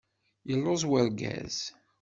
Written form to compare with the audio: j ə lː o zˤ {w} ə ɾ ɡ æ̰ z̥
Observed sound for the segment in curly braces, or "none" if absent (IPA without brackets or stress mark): w